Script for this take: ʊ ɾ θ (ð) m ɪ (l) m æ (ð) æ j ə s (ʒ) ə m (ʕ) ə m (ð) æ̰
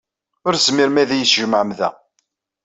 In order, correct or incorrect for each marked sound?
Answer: incorrect, incorrect, correct, correct, correct, correct

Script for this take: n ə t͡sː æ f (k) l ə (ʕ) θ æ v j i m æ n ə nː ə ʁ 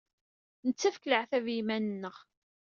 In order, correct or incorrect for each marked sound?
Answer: correct, correct

